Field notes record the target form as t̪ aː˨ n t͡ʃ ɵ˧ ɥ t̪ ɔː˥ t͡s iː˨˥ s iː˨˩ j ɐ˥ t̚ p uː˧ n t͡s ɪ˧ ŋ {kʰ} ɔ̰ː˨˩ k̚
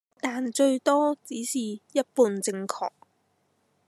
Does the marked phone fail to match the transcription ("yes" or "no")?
no